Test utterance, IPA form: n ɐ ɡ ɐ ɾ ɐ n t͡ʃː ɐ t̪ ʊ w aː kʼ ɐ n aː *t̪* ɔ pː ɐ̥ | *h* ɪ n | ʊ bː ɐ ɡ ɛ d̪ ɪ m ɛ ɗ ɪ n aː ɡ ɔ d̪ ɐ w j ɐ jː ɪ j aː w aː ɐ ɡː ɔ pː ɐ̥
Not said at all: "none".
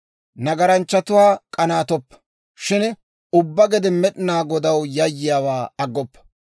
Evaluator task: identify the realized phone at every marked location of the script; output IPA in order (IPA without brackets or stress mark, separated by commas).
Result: t̪, ʃ